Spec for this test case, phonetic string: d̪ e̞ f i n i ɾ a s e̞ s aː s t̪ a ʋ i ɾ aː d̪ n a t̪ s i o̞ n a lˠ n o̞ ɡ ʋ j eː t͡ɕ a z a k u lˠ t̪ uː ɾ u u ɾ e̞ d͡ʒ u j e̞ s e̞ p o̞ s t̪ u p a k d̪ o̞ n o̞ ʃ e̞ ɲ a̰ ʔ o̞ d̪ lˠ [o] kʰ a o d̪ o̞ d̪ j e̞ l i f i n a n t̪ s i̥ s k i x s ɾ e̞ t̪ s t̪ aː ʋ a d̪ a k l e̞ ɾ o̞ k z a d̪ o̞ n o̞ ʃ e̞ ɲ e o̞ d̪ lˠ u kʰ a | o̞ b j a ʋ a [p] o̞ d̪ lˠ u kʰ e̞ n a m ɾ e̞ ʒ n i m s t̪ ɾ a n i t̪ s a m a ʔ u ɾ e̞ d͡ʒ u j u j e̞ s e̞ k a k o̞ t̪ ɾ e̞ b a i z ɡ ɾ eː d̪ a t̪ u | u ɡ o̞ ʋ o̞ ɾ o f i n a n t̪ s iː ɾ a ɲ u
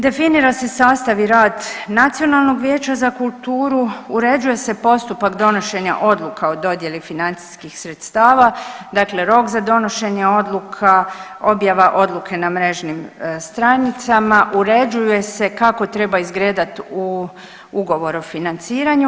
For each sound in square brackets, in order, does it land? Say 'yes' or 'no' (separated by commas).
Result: no, no